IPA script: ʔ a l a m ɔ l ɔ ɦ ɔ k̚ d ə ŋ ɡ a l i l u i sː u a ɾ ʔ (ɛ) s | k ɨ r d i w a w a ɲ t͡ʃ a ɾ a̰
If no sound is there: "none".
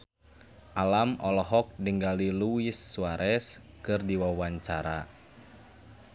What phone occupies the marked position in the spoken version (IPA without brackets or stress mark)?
ɛ